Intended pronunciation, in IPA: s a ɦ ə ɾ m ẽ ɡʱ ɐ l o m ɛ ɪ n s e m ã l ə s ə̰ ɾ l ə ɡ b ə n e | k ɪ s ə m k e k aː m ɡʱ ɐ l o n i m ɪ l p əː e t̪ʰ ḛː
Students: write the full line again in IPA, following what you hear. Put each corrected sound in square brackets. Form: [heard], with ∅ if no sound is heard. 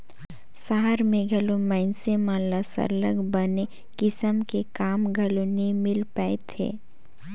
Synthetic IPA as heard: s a ɦ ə ɾ m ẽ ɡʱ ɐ l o m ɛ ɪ n s e m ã l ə s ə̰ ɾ l ə ɡ b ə n e | k ɪ s ə m k e k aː m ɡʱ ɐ l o n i m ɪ l p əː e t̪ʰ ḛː